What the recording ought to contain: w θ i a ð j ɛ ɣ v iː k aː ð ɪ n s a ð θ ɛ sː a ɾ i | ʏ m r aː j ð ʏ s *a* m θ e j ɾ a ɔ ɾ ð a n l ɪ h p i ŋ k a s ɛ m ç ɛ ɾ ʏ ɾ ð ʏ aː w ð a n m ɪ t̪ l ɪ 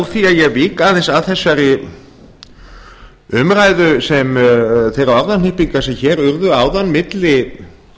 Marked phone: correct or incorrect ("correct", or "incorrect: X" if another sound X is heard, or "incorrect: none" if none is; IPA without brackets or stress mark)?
incorrect: ɛ